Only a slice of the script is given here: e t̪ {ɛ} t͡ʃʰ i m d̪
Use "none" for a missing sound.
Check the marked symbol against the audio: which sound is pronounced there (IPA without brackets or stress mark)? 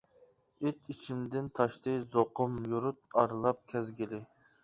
i